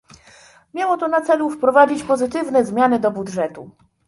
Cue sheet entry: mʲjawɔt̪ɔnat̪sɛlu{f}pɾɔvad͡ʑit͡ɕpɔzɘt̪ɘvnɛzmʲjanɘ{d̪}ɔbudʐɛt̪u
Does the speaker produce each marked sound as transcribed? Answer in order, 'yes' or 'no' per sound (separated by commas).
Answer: yes, yes